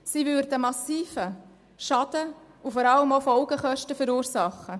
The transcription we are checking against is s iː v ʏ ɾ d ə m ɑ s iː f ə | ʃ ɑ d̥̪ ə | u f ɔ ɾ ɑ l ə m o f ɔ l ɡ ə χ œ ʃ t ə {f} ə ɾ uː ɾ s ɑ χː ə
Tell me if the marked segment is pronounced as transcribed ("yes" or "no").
yes